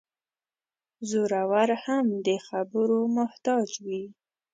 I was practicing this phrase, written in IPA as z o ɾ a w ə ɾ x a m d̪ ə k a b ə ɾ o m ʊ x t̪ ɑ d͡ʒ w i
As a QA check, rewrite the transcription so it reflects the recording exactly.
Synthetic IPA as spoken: z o ɾ a w a ɾ h a m d̪ ə x a b ə ɾ o m ʊ h t̪ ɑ d͡ʒ w i